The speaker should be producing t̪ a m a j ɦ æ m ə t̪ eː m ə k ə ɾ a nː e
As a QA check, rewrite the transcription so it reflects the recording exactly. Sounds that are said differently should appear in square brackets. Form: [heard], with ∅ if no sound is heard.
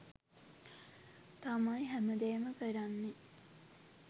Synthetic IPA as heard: t̪ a m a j ɦ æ m ə [d̪] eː m ə k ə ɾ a nː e